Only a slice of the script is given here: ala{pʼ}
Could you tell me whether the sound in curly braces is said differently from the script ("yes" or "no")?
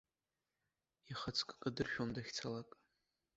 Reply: yes